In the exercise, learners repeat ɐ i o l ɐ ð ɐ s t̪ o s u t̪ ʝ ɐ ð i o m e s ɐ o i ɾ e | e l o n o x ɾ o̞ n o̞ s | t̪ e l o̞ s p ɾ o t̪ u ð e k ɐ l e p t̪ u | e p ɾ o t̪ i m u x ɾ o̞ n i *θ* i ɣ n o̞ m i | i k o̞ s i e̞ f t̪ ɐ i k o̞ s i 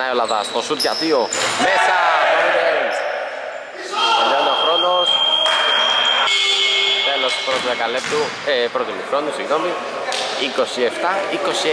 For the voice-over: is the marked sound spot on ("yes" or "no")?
no